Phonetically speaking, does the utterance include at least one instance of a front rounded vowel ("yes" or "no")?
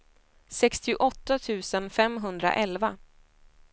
no